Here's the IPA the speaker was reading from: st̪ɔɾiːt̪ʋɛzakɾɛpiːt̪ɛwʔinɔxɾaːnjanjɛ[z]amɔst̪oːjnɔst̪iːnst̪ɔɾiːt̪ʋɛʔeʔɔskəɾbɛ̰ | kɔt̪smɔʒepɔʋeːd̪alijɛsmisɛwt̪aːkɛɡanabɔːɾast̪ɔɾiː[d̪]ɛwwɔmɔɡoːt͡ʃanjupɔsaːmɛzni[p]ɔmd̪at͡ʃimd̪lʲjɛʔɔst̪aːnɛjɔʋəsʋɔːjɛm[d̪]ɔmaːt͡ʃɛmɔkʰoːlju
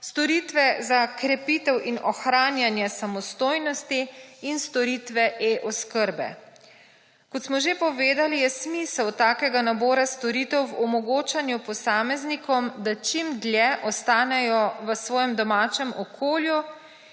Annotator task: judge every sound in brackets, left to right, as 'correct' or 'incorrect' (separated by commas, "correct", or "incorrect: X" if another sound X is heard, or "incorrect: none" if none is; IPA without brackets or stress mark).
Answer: incorrect: s, incorrect: t̪, incorrect: k, correct